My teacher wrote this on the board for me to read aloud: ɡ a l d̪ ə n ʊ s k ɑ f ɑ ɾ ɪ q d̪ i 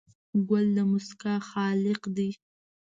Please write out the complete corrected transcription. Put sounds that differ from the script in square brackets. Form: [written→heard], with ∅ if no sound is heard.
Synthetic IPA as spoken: ɡ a l d̪ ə [n→m] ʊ s k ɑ [f→x] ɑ [ɾ→l] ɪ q d̪ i